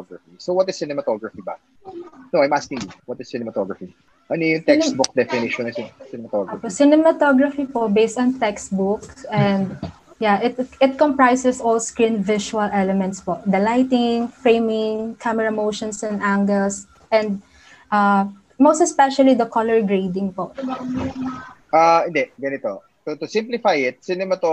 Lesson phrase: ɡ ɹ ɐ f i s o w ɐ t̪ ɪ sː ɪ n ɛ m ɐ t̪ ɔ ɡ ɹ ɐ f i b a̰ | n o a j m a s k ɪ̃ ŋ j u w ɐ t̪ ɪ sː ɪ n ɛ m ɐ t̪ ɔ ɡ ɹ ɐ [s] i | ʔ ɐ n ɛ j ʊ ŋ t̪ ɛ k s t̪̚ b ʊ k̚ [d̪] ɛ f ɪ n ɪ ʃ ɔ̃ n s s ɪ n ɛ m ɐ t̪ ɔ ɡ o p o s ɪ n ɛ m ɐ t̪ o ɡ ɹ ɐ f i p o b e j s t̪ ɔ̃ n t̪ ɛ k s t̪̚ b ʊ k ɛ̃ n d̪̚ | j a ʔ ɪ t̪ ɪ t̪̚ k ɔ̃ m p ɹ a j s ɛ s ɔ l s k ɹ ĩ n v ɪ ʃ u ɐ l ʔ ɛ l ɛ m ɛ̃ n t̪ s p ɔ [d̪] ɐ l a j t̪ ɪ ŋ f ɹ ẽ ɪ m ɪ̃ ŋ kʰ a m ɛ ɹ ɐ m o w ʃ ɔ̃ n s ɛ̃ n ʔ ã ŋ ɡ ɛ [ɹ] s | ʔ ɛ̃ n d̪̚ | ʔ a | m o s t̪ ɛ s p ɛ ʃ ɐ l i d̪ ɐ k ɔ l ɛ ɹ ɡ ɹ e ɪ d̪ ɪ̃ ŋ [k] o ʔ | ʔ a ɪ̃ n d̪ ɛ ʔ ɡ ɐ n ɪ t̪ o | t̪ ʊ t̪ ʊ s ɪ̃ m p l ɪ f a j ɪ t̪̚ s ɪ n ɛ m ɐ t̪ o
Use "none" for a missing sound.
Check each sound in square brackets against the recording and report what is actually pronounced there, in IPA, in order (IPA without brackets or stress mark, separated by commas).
f, d̪, d̪, l, p